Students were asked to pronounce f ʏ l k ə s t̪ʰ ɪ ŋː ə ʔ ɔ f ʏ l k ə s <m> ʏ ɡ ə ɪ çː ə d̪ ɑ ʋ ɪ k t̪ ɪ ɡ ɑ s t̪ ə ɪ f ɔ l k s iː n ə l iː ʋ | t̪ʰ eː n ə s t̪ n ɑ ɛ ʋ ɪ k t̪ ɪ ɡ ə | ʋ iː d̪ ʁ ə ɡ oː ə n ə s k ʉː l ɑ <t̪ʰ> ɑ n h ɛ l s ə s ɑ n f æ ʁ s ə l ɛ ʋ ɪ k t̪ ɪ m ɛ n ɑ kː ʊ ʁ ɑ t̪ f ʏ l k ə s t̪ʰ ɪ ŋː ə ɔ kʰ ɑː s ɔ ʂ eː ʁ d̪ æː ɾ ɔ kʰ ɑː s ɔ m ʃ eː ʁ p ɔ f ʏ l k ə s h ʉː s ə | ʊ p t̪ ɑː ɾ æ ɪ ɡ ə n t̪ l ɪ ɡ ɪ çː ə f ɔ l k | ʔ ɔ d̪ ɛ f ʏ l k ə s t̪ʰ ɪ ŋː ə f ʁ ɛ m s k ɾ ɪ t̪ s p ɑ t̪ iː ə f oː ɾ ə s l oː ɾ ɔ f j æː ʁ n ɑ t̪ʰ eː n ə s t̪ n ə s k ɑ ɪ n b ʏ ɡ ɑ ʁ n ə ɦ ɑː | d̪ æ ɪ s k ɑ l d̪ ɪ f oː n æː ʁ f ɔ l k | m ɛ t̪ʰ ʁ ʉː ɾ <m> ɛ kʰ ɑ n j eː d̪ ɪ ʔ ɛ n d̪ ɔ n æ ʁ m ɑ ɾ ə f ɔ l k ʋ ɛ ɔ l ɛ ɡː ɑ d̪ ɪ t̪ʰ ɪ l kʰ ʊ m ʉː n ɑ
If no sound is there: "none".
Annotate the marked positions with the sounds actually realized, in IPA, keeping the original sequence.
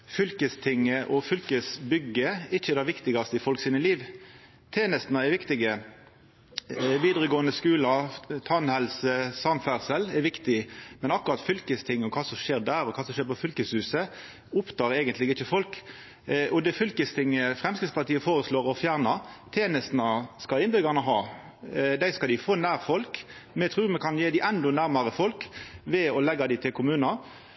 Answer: b, t̪ʰ, m

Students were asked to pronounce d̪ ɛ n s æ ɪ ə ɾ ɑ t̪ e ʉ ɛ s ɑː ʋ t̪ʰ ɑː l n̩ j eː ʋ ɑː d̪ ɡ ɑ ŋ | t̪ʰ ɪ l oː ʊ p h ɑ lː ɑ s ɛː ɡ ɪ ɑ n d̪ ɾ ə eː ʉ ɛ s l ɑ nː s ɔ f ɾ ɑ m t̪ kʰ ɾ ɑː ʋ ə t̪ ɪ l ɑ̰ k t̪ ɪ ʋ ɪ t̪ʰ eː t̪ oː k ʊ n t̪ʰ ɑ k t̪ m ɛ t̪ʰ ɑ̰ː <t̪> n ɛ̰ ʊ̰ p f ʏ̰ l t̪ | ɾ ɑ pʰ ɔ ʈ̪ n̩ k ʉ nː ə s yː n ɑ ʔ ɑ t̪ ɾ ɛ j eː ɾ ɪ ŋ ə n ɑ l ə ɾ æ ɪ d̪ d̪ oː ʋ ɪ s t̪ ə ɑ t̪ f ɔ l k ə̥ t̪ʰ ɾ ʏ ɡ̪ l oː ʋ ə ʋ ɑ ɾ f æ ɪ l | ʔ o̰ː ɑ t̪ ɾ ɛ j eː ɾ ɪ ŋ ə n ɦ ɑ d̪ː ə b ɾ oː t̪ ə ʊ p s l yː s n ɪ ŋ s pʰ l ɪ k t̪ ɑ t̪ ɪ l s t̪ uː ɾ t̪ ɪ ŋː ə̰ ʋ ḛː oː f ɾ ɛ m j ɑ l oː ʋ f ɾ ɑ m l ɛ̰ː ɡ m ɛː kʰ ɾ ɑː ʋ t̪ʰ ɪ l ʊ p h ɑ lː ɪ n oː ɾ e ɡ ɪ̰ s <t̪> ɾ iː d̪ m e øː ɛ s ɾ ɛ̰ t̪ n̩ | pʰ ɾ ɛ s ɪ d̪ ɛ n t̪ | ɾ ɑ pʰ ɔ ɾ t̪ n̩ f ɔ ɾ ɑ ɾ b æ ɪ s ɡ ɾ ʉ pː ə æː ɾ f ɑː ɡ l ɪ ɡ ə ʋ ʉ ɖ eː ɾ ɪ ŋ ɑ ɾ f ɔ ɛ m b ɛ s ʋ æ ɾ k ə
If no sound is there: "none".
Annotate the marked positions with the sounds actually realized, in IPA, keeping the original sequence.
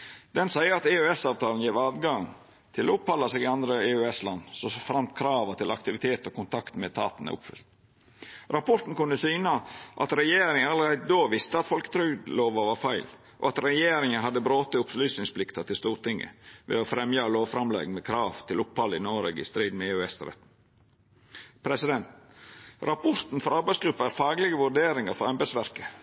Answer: t̪, t̪

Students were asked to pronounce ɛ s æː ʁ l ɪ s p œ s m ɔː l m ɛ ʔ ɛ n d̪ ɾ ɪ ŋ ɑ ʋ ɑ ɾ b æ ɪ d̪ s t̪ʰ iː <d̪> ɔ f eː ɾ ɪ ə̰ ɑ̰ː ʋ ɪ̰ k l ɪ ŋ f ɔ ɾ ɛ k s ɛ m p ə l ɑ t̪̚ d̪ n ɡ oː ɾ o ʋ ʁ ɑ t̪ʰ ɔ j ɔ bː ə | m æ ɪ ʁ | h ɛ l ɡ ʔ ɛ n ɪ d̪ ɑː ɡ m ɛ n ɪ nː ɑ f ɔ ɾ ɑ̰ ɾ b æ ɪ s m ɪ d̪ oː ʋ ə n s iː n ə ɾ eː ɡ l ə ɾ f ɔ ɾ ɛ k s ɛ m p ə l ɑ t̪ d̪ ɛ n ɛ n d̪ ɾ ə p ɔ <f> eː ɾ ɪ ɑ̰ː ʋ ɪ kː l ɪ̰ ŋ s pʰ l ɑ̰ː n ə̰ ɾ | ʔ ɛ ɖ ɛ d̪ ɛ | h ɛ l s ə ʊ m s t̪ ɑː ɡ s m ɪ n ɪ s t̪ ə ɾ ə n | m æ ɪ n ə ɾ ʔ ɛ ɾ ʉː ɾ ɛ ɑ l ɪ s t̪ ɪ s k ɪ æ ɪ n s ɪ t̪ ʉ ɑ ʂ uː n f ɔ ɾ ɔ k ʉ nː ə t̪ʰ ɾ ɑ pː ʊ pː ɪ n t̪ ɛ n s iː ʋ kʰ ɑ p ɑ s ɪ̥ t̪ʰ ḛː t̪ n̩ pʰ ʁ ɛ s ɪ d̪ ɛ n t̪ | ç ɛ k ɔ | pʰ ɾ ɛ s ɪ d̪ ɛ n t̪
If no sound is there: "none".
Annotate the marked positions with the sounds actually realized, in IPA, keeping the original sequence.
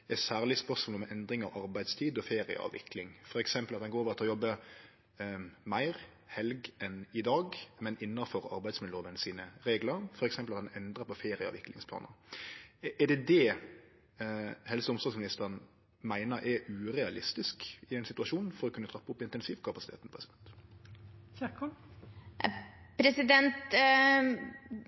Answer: d̪, f

